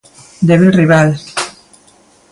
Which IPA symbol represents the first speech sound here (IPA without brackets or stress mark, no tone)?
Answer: d̪